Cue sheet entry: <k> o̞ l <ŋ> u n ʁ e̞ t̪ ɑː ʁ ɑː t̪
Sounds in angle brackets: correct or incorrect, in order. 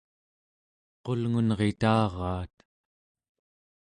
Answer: incorrect, correct

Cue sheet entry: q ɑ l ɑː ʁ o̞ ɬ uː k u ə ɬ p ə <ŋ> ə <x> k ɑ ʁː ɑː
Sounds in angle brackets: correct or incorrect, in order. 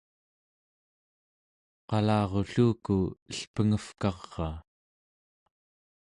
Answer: correct, incorrect

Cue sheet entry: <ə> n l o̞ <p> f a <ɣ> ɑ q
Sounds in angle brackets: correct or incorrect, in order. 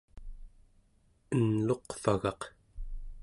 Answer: correct, incorrect, correct

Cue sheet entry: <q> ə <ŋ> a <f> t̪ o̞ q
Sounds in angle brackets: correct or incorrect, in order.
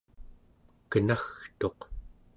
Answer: incorrect, incorrect, incorrect

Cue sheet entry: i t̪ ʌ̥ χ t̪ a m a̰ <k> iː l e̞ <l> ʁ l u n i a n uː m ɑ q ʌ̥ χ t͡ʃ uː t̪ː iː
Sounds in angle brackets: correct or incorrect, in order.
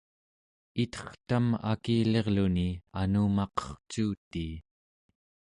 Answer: correct, incorrect

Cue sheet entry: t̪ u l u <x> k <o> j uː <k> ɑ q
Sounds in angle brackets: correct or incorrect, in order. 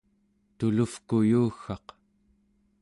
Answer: incorrect, incorrect, incorrect

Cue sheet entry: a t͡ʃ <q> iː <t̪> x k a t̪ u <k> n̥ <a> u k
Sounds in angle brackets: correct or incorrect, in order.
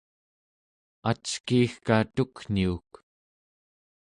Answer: incorrect, incorrect, correct, incorrect

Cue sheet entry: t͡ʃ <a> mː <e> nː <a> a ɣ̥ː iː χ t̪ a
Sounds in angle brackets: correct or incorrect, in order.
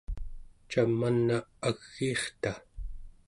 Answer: correct, incorrect, correct

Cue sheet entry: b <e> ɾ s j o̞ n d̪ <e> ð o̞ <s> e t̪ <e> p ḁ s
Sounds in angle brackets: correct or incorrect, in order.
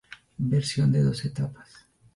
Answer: correct, correct, correct, incorrect

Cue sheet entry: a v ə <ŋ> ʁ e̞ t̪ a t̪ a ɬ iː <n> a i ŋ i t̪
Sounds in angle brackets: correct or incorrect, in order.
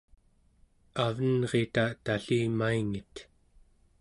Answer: incorrect, incorrect

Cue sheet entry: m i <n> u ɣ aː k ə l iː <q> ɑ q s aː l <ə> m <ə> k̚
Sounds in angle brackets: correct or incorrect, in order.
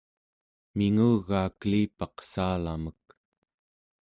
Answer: incorrect, incorrect, incorrect, correct

